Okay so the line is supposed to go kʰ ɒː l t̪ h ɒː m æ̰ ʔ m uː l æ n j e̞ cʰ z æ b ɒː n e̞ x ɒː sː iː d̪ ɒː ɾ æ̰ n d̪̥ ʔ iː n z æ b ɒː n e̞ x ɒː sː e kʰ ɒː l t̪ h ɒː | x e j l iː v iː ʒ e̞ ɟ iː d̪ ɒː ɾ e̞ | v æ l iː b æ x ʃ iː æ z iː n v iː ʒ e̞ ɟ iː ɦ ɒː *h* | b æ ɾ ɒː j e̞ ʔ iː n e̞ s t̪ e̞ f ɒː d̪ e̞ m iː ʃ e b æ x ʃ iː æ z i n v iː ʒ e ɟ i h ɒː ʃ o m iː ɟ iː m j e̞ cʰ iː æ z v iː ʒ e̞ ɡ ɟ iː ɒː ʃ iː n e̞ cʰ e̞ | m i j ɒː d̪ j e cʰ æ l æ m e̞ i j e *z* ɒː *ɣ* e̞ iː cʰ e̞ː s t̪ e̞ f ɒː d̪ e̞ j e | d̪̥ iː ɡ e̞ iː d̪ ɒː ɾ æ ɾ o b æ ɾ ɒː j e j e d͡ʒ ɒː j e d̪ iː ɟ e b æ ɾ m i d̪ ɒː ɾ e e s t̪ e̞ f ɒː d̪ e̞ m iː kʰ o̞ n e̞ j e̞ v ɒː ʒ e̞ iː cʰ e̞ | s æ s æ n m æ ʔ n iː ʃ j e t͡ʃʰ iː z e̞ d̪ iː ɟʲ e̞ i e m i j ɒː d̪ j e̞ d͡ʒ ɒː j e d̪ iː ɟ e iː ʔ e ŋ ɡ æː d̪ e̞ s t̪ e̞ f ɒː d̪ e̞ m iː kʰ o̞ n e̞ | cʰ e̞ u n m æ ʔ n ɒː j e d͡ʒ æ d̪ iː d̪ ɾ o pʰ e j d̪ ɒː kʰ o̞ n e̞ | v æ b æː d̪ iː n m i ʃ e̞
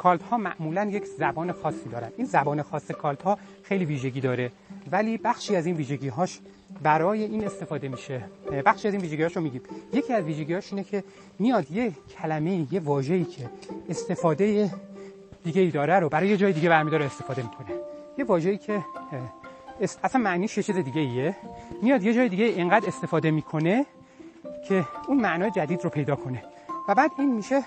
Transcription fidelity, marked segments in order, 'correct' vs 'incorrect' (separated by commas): incorrect, incorrect, incorrect